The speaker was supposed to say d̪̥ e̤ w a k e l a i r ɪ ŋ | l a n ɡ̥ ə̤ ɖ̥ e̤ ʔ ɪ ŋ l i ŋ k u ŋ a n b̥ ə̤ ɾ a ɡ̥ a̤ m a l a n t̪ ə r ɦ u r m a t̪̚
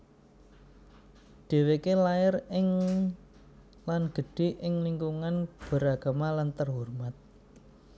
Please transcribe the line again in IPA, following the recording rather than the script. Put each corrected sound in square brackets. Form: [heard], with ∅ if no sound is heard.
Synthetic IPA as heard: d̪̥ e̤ w [e] k e l a [ɪ] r ɪ ŋ | l a n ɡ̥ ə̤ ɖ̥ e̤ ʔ ɪ ŋ l i ŋ k u ŋ a n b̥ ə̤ ɾ a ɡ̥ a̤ m a l a n t̪ ə r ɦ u r m a t̪̚